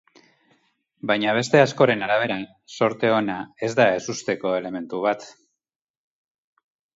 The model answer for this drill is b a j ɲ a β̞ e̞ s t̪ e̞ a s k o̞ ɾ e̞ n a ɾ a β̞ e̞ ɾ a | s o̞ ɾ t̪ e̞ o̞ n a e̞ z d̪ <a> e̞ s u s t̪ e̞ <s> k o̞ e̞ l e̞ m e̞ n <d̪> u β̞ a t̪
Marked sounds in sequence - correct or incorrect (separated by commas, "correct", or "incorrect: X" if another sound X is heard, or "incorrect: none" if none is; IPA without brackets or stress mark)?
correct, incorrect: none, incorrect: t̪